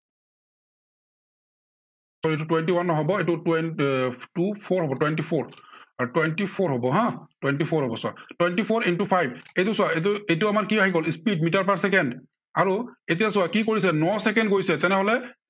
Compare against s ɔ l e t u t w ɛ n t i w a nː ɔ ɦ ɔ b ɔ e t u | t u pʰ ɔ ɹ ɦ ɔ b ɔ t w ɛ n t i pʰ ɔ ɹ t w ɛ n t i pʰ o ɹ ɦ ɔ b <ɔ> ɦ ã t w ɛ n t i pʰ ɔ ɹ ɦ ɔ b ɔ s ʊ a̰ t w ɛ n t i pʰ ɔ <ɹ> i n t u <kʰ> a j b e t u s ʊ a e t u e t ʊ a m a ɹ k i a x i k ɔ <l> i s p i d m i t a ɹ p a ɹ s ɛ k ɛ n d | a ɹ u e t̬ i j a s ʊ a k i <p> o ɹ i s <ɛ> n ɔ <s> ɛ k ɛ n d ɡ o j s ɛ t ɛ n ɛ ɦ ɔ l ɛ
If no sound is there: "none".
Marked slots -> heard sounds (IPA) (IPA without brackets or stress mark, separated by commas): ɔ, ɹ, pʰ, l, k, ɛ, s